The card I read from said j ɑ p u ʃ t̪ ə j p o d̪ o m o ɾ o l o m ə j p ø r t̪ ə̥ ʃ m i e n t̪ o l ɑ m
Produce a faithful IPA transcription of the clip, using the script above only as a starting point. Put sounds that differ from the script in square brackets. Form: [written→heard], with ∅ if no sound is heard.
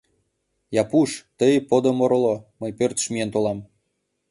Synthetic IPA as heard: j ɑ p u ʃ t̪ ə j p o d̪ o m o ɾ o l o m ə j p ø r t̪ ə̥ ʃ m i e n t̪ o l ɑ m